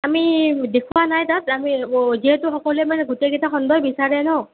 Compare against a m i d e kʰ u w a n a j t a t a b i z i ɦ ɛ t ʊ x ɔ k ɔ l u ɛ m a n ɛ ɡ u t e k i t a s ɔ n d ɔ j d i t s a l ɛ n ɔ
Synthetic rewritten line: a m i d e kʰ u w a n a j t a t a m i z i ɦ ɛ t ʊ x ɔ k ɔ l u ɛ m a n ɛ ɡ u t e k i t a x ɔ n d ɔ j b i s a ɹ ɛ n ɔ